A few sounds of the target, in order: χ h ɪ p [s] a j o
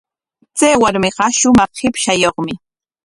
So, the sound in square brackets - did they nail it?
no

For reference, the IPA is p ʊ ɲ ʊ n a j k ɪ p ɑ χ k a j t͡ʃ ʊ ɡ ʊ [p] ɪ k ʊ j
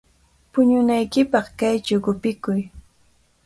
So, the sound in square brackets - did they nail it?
yes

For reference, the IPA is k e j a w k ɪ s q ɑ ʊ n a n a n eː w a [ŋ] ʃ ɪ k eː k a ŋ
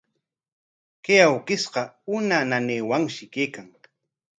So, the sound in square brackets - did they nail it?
yes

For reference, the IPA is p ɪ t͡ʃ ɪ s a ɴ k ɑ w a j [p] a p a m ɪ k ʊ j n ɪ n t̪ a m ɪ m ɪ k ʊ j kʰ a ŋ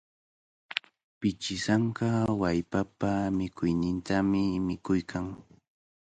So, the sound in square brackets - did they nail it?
yes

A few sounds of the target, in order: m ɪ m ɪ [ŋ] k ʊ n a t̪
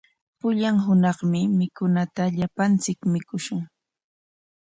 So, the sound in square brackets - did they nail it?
no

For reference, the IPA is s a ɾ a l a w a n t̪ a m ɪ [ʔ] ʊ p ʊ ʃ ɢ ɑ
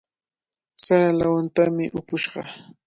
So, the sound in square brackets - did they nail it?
yes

